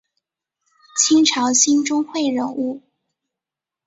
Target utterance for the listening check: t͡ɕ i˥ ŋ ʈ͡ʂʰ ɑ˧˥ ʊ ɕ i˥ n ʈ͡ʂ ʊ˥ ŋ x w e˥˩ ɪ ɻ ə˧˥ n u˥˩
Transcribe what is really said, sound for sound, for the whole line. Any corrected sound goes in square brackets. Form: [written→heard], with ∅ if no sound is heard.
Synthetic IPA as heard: [t͡ɕ→t͡ɕʰ] i˥ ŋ ʈ͡ʂʰ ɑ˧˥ ʊ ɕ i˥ n ʈ͡ʂ ʊ˥ ŋ x w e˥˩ ɪ ɻ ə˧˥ n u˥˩